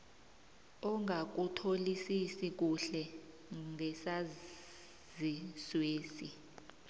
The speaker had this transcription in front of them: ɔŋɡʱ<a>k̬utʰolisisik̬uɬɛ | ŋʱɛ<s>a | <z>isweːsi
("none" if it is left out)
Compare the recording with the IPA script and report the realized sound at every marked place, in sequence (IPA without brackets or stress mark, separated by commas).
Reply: a, s, z